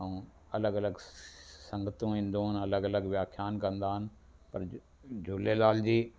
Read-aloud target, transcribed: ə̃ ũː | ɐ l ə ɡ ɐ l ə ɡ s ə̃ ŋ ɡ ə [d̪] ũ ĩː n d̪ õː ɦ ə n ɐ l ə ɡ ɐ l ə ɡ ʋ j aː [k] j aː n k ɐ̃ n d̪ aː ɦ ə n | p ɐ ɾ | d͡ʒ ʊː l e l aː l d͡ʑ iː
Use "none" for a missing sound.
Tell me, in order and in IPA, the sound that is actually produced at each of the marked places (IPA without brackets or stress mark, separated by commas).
t̪, kʰ